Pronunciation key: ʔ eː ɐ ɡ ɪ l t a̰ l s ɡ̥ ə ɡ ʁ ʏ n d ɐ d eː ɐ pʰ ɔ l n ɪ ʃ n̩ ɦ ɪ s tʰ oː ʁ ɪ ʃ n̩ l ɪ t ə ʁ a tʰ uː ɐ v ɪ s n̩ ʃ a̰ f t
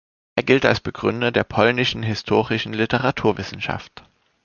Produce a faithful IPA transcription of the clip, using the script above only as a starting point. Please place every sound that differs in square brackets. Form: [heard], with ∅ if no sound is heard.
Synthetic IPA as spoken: ʔ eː ɐ ɡ ɪ l t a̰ l s [b̥] ə ɡ ʁ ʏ n d ɐ d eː ɐ pʰ ɔ l n ɪ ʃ n̩ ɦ ɪ s tʰ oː ʁ ɪ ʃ n̩ l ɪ t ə ʁ a tʰ uː ɐ v ɪ s n̩ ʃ a̰ f t

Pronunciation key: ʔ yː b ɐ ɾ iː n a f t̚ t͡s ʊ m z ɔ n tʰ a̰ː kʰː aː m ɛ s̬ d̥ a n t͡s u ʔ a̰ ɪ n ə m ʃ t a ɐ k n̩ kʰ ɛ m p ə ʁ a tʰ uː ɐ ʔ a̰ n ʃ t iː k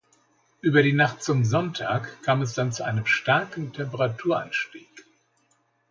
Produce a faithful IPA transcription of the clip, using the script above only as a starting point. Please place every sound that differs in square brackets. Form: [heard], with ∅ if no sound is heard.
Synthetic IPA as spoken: ʔ yː b ɐ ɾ iː n a [χ] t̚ t͡s ʊ m z ɔ n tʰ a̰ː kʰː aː m ɛ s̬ d̥ a n t͡s u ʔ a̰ ɪ n ə m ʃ t a ɐ k n̩ [tʰ] ɛ m p ə ʁ a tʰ uː ɐ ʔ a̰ n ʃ t iː k

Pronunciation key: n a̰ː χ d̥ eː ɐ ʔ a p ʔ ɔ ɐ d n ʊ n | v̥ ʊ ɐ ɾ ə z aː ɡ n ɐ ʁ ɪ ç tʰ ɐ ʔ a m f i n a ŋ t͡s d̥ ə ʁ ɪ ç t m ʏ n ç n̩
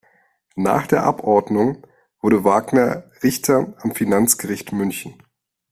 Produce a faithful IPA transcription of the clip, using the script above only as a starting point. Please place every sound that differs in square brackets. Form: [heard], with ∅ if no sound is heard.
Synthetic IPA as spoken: n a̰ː χ d̥ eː ɐ ʔ a p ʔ ɔ ɐ d n ʊ [ŋ] | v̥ ʊ ɐ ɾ ə [v] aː ɡ n ɐ ʁ ɪ ç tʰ ɐ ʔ a m f i n a [n] t͡s [ɡ̥] ə ʁ ɪ ç t m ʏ n ç n̩

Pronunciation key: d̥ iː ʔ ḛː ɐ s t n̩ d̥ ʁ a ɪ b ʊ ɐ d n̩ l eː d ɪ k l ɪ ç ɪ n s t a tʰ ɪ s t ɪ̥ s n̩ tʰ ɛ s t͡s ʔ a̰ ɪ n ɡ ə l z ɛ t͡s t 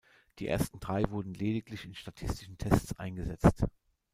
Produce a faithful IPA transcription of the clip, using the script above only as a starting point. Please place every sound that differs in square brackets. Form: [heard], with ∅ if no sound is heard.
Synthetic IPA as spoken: d̥ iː ʔ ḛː ɐ s t n̩ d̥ ʁ a ɪ [v] ʊ ɐ d n̩ l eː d ɪ k l ɪ ç ɪ n [ʃ] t a tʰ ɪ s t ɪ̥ [ʃ] n̩ tʰ ɛ s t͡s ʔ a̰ ɪ n ɡ ə [∅] z ɛ t͡s t

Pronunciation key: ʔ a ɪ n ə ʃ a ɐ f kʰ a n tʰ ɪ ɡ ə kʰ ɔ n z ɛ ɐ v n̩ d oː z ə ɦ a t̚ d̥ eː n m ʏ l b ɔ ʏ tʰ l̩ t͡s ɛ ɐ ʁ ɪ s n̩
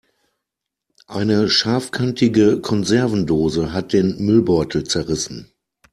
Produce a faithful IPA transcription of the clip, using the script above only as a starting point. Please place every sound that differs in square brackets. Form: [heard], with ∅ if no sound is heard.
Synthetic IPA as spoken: ʔ a ɪ n ə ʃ a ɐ f kʰ a n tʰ ɪ ɡ ə kʰ ɔ n z ɛ ɐ v n̩ d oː z ə ɦ a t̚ d̥ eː n m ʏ l b ɔ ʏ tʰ l̩ t͡s ɛ ɐ ʁ ɪ s n̩

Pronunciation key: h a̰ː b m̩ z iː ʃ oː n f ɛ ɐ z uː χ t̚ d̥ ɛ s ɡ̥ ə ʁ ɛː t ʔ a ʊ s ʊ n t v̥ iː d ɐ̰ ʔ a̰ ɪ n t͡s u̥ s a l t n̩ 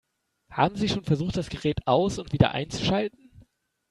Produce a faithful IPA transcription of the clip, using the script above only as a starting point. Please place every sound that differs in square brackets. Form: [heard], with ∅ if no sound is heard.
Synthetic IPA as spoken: h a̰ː b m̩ z iː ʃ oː n f ɛ ɐ z uː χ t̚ d̥ [a] s ɡ̥ ə ʁ ɛː t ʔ a ʊ s ʊ n t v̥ iː d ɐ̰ ʔ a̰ ɪ n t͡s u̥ [ʃ] a l t n̩

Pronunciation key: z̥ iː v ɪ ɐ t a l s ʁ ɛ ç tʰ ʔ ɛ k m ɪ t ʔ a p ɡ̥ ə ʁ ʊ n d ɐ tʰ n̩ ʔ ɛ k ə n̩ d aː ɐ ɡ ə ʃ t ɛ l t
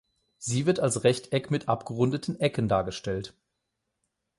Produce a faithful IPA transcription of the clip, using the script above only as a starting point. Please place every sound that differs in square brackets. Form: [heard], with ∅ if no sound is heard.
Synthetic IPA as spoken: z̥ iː v ɪ ɐ t a l s ʁ ɛ ç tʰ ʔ ɛ k m ɪ t ʔ a p ɡ̥ ə ʁ ʊ n d [ə] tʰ n̩ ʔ ɛ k ə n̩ d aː ɐ ɡ ə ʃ t ɛ l t

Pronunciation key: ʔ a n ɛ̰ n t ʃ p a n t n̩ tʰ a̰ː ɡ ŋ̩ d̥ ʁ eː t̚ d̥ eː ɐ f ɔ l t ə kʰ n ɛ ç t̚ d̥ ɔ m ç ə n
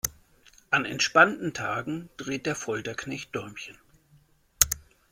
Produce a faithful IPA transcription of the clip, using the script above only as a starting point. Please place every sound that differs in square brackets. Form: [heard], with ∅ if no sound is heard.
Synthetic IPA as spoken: ʔ a n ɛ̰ n t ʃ p a n t n̩ tʰ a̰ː ɡ ŋ̩ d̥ ʁ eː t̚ d̥ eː ɐ f ɔ l t [ɐ] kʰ n ɛ ç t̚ d̥ ɔ m ç ə n

